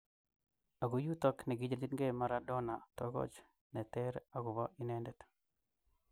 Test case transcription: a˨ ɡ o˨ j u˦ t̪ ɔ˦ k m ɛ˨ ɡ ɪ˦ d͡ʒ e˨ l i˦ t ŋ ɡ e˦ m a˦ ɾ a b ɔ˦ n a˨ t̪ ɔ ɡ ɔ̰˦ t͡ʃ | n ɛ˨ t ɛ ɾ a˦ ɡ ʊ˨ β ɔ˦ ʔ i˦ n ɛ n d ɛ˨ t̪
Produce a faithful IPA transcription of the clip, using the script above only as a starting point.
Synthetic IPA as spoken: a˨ ɡ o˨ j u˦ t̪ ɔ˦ k n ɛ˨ ɡ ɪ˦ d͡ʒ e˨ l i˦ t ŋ ɡ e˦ m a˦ ɾ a d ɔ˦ n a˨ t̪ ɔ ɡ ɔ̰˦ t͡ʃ | n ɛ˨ t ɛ ɾ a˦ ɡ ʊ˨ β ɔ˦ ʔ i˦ n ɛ n d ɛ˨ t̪

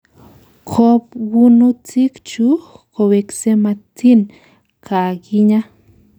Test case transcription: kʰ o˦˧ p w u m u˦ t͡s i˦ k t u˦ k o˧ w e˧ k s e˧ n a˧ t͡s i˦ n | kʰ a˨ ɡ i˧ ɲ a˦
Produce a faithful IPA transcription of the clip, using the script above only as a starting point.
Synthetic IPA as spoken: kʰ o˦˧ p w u n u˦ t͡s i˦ k t͡ʃ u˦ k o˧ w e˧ k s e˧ m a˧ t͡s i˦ n | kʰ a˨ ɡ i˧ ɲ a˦

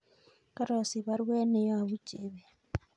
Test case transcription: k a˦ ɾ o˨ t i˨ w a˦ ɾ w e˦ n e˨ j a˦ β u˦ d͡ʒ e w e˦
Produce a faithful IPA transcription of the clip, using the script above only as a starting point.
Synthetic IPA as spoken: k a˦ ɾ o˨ s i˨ β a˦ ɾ w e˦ n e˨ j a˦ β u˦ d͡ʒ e β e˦

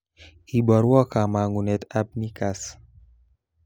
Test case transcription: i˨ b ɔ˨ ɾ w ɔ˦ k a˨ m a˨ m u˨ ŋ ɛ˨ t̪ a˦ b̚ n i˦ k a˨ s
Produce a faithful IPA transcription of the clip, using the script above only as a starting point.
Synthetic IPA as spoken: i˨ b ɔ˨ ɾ w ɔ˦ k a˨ m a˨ ŋ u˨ n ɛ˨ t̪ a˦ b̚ n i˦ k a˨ s

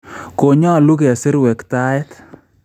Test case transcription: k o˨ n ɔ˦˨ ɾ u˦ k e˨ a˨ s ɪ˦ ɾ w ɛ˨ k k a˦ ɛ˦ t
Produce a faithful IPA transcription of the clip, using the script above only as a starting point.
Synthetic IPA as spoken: k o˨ ɲ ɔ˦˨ l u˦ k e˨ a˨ s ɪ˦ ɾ w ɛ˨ k t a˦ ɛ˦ t

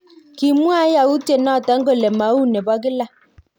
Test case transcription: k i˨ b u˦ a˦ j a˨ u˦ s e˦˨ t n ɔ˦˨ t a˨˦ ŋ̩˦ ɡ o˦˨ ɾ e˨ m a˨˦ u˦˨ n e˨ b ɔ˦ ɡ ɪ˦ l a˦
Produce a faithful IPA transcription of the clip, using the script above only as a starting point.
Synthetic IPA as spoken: k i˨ m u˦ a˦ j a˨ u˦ t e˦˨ n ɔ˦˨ t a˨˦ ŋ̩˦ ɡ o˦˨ l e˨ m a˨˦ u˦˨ n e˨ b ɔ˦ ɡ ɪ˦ l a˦

